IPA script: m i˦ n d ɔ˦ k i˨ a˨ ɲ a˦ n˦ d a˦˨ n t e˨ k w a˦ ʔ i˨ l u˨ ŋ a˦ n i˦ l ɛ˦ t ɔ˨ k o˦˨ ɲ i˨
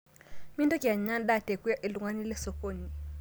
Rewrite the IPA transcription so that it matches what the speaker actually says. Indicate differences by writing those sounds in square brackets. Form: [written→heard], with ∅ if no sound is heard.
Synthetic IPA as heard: m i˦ n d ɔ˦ k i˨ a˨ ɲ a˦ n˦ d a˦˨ [n→∅] t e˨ k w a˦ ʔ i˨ l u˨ ŋ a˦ n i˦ l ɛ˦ [t→s] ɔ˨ k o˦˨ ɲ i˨